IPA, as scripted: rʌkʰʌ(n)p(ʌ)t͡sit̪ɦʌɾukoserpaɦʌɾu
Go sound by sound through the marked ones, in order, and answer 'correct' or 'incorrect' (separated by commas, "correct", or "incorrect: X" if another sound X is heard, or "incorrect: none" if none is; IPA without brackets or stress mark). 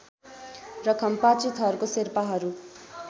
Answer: incorrect: m, incorrect: a